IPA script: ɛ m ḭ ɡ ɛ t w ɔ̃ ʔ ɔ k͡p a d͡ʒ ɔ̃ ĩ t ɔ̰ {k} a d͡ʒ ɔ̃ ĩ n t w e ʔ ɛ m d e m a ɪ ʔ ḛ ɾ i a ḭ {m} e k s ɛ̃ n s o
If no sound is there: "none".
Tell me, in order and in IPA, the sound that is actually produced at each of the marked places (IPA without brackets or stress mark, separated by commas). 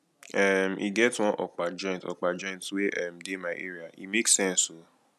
k͡p, m